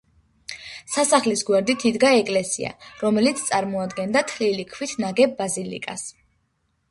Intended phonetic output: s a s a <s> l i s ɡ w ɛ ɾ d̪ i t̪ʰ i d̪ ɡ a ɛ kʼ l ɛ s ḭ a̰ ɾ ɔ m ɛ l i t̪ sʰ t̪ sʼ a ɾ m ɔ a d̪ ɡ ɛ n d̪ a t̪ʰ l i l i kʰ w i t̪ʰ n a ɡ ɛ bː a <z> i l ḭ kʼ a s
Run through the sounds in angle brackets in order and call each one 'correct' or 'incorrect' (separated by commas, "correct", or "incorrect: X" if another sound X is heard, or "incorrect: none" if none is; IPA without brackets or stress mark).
incorrect: χ, correct